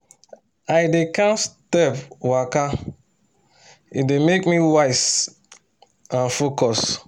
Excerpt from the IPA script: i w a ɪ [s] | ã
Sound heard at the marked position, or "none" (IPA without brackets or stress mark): s